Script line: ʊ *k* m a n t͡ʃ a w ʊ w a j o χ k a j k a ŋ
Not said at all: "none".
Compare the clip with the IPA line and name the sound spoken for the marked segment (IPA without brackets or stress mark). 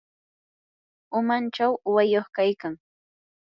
none